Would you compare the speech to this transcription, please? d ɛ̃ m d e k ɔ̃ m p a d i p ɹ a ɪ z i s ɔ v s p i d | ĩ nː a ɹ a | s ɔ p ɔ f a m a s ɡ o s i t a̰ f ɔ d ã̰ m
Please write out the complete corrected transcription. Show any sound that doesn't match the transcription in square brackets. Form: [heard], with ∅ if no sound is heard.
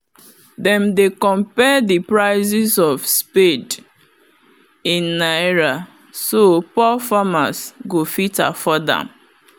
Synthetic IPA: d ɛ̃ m d e k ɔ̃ m p [ɛ] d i p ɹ a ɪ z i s ɔ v s p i d | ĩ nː a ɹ a | s [o] p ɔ f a m a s ɡ o [f] i t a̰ f ɔ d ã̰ m

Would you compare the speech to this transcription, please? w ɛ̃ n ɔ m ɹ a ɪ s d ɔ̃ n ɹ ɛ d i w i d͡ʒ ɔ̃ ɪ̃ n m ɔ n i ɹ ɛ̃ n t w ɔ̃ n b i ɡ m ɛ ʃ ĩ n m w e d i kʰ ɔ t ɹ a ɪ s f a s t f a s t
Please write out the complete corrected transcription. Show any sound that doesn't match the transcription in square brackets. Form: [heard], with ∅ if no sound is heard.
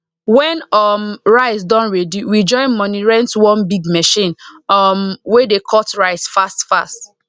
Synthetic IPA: w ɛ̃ n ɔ m ɹ a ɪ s d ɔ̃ n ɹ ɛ d i w i d͡ʒ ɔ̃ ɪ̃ n m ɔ n i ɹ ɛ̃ n t w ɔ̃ n b i ɡ m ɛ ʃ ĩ n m w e d [e] kʰ ɔ t ɹ a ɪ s f a s t f a s t

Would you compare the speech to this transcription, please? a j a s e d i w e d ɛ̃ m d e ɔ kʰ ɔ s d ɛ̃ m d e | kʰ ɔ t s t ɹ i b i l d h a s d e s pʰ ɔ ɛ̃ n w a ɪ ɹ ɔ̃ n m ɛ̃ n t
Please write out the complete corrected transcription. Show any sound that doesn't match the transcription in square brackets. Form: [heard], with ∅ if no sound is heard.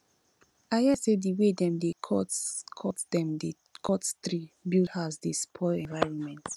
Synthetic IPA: a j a s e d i w e d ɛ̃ m d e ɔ kʰ ɔ [t] d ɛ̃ m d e | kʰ ɔ t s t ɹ i b i l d h a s d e s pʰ ɔ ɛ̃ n [v] a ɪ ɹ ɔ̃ n m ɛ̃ n t

